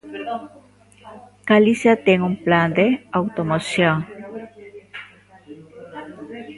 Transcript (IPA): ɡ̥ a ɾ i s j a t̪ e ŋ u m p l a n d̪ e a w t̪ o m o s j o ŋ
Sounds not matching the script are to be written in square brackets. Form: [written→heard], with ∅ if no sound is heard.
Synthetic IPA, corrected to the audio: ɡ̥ a [ɾ→l] i s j a t̪ e ŋ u m p l a n d̪ e a w t̪ o m o s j o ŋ